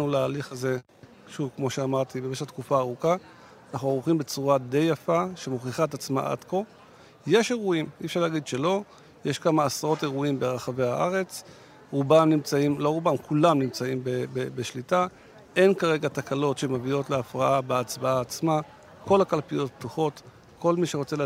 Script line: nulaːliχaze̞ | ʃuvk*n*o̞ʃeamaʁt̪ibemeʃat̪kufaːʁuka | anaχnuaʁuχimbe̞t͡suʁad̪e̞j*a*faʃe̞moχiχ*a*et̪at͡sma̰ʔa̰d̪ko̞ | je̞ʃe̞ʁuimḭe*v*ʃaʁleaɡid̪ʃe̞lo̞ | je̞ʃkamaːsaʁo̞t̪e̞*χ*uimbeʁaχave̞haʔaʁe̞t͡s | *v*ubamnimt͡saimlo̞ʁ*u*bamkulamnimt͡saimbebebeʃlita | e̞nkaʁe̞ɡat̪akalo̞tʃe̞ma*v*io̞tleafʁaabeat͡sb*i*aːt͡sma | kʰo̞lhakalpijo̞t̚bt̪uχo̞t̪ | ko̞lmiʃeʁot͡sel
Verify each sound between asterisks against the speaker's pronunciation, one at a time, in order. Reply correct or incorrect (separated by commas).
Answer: incorrect, correct, correct, incorrect, incorrect, incorrect, correct, correct, incorrect